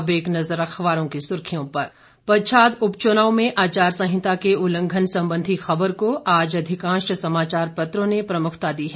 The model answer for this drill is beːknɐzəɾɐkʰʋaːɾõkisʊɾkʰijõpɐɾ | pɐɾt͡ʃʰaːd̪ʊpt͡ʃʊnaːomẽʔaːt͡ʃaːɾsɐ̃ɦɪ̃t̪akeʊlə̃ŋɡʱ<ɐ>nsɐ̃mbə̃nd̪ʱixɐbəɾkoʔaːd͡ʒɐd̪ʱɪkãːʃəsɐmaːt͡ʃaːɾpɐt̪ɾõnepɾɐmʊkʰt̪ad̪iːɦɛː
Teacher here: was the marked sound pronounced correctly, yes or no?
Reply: no